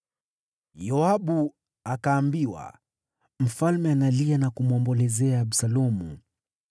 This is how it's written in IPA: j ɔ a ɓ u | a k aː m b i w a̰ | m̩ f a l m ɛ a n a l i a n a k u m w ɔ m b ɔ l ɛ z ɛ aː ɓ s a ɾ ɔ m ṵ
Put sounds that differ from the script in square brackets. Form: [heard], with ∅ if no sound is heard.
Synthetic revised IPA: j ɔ a ɓ u | a k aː m b i w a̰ | m̩ f a l m ɛ a n a l i a n a k u m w ɔ m b ɔ l ɛ z ɛ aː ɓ s a [l] ɔ m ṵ